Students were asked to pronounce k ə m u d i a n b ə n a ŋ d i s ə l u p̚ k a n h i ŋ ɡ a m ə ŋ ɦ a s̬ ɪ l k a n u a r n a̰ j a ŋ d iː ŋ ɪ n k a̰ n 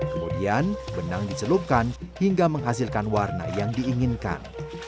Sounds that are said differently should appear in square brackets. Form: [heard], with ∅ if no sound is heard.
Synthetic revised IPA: k ə m u d i a n b ə n a ŋ d i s ə l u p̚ k a n h i ŋ ɡ a m ə ŋ ɦ a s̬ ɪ l k a n [w] a r n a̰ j a ŋ d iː ŋ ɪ n k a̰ n